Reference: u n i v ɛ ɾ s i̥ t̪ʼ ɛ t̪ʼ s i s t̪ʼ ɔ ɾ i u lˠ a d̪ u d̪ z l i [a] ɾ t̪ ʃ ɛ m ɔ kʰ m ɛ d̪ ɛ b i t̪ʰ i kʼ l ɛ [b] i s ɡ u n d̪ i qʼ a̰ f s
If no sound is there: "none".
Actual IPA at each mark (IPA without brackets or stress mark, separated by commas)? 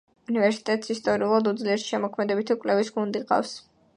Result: ɛ, v